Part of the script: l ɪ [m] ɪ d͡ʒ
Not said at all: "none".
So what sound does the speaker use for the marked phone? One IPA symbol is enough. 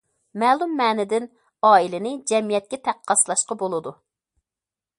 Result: n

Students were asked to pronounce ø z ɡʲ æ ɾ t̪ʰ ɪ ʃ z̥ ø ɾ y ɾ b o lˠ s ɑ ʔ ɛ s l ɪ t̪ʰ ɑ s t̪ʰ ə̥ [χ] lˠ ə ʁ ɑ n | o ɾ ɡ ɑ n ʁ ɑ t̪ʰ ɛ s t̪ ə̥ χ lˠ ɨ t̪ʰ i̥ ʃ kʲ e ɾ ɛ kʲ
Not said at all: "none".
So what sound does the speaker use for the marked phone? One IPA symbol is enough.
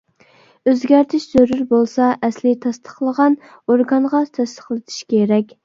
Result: χ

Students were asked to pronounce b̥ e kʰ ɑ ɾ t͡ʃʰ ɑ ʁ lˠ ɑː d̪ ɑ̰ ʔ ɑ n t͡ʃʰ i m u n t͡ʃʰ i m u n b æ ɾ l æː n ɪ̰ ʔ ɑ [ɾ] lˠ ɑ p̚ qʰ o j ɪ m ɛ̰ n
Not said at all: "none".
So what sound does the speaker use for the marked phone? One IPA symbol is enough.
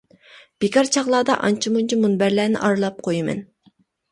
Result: ɾ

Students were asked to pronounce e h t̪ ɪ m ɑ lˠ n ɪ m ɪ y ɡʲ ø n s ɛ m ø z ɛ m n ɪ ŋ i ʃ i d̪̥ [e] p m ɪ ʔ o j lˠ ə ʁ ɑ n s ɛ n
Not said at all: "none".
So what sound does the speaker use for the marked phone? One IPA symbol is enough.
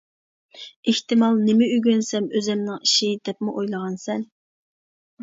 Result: ɛ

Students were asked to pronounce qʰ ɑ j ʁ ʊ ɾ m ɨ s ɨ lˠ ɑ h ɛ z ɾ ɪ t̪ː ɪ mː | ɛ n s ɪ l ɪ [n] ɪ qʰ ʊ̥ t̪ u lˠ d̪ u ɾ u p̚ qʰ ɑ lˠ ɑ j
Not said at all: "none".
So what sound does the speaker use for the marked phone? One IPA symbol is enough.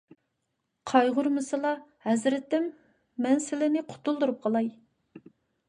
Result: n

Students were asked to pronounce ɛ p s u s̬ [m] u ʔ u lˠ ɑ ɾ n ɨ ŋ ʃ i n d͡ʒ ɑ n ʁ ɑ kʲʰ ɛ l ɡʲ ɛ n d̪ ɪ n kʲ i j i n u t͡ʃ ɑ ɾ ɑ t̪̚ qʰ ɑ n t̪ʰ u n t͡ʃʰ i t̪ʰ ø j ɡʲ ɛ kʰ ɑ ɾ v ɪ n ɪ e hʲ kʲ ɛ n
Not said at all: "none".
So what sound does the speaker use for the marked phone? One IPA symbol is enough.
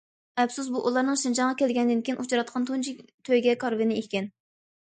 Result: b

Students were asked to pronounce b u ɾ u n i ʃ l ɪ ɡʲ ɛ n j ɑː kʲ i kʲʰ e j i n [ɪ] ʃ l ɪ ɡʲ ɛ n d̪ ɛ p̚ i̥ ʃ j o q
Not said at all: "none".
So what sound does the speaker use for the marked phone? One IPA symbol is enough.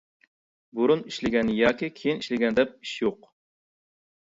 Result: i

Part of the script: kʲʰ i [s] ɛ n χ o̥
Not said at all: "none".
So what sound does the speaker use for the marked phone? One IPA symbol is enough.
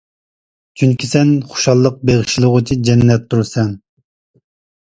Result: s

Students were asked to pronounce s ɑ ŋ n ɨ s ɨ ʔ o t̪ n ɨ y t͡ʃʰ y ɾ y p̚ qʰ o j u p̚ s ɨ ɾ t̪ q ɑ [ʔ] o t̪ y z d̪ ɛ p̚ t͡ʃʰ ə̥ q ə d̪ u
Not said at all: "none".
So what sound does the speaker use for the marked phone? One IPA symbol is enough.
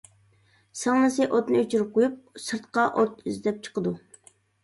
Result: ʔ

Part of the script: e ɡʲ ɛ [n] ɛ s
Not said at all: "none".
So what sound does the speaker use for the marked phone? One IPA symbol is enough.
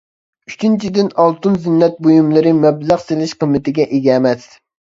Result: m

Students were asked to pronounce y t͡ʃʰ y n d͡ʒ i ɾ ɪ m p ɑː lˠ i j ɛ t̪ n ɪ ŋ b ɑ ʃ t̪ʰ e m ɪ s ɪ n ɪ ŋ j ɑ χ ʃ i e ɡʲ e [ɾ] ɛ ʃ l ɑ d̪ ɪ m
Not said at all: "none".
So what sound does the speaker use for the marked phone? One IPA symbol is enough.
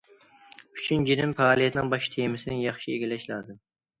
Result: l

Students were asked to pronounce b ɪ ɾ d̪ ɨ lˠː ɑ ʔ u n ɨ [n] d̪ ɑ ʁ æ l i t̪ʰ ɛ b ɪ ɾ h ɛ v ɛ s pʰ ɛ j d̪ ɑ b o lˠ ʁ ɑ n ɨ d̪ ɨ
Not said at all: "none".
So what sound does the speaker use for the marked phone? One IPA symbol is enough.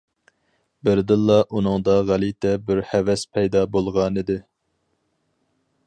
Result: ŋ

